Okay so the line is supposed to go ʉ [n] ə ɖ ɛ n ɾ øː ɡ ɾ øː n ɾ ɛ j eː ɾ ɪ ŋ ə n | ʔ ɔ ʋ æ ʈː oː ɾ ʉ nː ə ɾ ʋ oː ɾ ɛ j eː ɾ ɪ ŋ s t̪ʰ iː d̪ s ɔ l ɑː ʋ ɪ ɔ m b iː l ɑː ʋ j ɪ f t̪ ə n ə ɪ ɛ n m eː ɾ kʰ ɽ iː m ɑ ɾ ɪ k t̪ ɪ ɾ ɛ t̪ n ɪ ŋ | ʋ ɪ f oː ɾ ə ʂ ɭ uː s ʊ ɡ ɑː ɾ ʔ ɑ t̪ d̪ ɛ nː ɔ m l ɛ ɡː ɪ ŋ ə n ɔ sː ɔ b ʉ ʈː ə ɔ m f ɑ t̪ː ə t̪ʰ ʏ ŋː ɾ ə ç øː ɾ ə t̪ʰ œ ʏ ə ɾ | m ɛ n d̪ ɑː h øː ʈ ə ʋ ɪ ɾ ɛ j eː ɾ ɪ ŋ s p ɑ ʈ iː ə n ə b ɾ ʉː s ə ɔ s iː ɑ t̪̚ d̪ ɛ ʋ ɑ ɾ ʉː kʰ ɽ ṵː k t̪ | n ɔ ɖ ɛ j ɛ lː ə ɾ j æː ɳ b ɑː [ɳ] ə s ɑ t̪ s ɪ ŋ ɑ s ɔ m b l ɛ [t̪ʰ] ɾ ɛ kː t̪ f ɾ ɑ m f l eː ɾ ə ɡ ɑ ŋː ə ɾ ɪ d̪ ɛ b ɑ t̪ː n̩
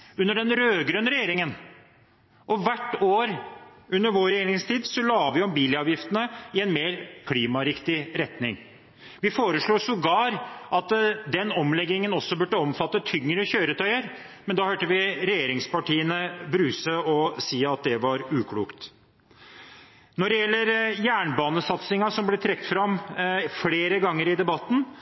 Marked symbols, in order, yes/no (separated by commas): no, no, yes